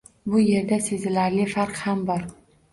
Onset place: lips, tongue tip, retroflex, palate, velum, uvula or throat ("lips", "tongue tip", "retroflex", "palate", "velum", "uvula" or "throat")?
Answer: lips